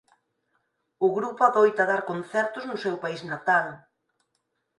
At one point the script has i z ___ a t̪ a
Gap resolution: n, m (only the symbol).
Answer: n